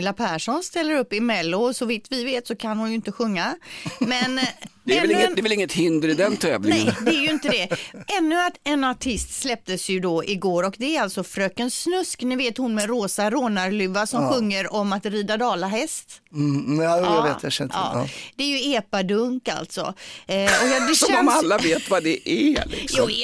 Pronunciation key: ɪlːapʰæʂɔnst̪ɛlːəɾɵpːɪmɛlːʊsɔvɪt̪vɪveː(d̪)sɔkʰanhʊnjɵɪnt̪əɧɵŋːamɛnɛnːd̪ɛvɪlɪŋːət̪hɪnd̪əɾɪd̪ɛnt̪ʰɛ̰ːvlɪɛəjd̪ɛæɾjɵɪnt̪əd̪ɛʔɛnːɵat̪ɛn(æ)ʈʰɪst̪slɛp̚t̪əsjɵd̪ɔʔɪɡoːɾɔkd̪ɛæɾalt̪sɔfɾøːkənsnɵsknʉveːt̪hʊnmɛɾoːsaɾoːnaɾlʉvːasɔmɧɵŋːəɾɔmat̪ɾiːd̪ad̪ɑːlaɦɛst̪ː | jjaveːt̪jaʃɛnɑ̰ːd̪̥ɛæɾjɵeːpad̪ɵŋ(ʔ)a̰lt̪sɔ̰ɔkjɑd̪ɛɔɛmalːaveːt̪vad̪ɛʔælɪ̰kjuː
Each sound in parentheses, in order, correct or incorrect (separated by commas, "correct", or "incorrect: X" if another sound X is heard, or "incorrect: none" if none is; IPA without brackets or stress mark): incorrect: t̪, incorrect: a, incorrect: k